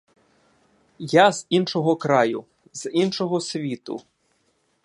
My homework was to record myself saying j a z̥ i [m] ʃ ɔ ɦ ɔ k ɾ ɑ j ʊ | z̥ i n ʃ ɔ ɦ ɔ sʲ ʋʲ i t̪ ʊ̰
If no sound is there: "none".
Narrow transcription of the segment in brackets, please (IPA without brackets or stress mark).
n